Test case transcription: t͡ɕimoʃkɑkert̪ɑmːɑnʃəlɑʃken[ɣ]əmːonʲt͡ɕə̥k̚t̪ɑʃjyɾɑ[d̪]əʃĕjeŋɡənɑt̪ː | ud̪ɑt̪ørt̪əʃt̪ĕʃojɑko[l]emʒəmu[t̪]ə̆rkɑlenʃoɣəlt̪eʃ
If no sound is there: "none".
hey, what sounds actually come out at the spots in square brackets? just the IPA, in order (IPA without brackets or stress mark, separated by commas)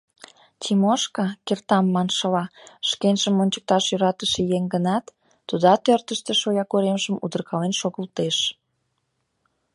ʒ, t̪, ɾ, d̪